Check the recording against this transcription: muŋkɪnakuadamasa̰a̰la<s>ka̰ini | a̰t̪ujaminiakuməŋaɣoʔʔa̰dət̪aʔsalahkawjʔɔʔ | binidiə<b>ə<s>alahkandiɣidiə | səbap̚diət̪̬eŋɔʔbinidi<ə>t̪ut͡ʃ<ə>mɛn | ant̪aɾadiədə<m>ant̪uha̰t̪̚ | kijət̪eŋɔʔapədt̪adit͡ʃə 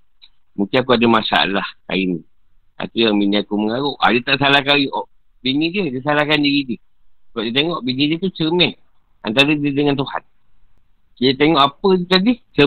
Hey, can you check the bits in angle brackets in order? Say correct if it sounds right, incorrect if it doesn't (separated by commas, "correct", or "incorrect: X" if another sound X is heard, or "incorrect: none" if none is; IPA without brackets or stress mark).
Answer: incorrect: h, incorrect: d, correct, correct, correct, incorrect: ŋ